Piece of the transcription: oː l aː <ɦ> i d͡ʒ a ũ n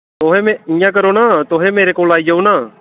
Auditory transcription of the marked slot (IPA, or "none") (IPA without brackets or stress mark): none